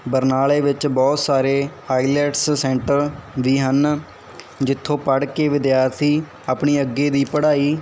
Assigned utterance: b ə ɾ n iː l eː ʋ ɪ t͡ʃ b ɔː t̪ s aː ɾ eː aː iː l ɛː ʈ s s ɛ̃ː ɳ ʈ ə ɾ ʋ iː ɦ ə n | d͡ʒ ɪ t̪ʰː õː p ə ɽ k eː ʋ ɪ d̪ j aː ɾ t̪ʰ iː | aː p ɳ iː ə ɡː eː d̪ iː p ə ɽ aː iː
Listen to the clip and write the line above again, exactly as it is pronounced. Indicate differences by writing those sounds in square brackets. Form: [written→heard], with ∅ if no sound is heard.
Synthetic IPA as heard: b ə ɾ n [iː→aː] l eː ʋ ɪ t͡ʃ b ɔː t̪ s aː ɾ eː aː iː l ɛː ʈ s s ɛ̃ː ɳ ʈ ə ɾ ʋ iː ɦ ə n | d͡ʒ ɪ t̪ʰː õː p ə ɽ k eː ʋ ɪ d̪ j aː ɾ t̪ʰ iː | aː p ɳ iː ə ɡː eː d̪ iː p ə ɽ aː iː